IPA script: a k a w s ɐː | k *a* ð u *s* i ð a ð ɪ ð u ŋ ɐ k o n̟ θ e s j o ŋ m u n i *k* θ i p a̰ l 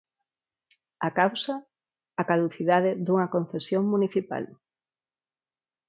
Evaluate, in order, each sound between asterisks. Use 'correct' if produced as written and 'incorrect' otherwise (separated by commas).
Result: correct, incorrect, incorrect